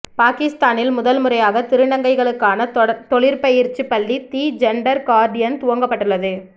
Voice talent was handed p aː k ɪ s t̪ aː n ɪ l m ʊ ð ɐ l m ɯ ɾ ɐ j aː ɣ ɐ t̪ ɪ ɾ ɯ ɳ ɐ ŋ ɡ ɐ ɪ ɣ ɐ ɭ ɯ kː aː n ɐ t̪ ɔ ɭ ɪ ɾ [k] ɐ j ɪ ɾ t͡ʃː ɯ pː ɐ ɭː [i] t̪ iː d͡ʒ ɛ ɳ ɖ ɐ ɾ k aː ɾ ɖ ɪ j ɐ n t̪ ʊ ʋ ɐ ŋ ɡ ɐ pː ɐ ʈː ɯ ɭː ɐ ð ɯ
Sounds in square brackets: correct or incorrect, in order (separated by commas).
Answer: incorrect, correct